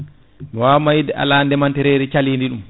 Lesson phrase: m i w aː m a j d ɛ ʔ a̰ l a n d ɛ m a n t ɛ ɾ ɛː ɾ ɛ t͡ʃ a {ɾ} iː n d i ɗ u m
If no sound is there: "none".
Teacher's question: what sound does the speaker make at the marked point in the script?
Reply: l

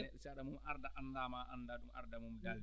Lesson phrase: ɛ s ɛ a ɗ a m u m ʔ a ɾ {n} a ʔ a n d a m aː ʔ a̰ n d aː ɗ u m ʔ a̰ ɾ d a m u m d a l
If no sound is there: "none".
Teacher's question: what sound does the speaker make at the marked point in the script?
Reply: d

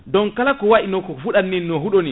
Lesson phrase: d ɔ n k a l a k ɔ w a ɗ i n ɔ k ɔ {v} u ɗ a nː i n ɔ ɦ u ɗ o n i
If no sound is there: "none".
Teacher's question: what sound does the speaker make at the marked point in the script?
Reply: f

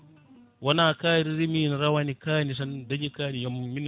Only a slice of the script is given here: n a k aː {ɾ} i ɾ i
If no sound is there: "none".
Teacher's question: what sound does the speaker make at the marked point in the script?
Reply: ɾ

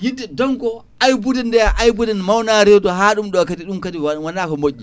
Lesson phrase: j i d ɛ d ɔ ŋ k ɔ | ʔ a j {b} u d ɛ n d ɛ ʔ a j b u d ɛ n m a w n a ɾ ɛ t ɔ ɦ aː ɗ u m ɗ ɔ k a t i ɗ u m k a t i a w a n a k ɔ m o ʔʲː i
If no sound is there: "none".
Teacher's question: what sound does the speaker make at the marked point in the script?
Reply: b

